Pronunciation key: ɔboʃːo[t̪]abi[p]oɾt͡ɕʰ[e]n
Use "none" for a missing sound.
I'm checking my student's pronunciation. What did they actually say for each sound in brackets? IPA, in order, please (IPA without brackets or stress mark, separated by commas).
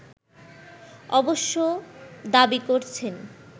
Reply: d̪, k, e